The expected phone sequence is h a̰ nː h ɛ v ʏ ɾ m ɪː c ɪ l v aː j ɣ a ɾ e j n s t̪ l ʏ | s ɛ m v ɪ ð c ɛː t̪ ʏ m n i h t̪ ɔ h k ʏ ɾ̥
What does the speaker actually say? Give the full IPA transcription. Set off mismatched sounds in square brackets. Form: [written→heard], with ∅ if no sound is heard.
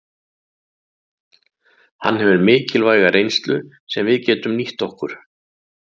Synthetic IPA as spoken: h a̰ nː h ɛ v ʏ ɾ m ɪː c ɪ l v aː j ɣ a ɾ e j n s t̪ l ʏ | s ɛ m v ɪ ð c ɛː t̪ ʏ m n i h t̪ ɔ h k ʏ ɾ̥